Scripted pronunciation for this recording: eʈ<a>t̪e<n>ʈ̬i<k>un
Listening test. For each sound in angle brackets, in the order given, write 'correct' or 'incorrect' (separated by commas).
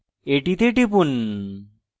incorrect, incorrect, incorrect